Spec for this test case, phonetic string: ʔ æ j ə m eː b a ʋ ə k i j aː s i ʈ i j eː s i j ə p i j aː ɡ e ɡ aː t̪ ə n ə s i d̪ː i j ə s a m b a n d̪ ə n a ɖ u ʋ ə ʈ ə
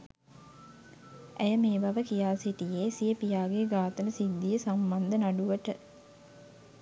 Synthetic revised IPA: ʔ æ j ə m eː b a ʋ ə k i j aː s i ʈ i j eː s i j ə p i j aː ɡ e ɡ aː t̪ ə n ə s i d̪ː i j ə s a m b a n d̪ ə n a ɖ u ʋ ə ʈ ə

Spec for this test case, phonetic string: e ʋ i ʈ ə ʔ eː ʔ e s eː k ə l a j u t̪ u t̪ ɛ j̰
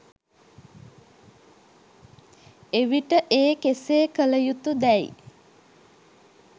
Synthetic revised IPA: e ʋ i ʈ ə ʔ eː k e s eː k ə l ə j u t̪ u d̪ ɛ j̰

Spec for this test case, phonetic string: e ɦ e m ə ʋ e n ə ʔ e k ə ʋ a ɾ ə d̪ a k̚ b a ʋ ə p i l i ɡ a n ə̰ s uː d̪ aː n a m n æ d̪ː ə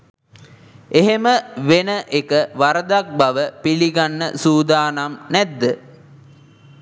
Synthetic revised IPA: e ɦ e m ə ʋ e n ə ʔ e k ə ʋ a ɾ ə d̪ a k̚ b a ʋ ə p i l i ɡ a nː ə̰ s uː d̪ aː n a m n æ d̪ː ə

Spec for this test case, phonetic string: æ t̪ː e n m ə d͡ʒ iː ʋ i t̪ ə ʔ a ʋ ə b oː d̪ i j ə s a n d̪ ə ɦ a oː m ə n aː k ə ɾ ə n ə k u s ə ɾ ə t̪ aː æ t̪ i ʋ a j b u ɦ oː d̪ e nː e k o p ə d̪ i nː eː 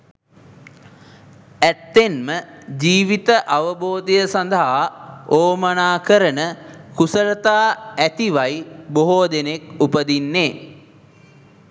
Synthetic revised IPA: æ t̪ː e n m ə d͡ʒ iː ʋ i t̪ ə ʔ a ʋ ə b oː d̪ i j ə s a n d̪ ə ɦ a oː m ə n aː k ə ɾ ə n ə k u s ə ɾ ə t̪ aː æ t̪ i ʋ a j b o ɦ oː d̪ e n e k u p ə d̪ i nː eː

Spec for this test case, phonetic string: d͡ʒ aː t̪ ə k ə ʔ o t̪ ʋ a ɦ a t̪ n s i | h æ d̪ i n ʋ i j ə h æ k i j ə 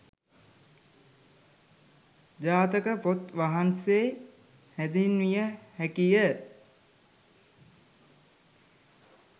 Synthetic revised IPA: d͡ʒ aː t̪ ə k ə p o t̪ ʋ a ɦ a n s e | h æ d̪ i n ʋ i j ə h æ k i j ə

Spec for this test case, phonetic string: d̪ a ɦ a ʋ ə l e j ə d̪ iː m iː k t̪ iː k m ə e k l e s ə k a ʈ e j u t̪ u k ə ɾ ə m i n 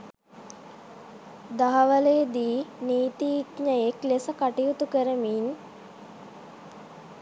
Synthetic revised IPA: d̪ a ɦ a ʋ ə l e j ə d̪ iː n iː t̪ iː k ɲ ə e k l e s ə k a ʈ i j u t̪ u k ə ɾ ə m i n

